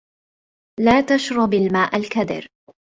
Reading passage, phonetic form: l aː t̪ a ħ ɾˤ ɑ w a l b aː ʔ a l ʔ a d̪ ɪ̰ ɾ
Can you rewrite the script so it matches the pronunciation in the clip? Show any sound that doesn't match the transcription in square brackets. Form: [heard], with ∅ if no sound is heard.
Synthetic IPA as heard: l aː t̪ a [ʃ] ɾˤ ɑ [b] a l [m] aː ʔ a l [k] a d̪ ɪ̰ ɾ